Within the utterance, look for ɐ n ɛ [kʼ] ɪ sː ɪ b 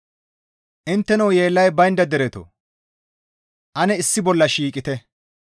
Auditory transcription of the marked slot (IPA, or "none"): none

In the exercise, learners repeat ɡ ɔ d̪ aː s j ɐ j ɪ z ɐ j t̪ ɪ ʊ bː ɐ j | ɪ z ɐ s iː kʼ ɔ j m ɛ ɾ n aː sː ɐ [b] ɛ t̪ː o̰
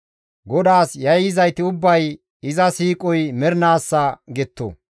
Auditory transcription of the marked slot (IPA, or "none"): ɡ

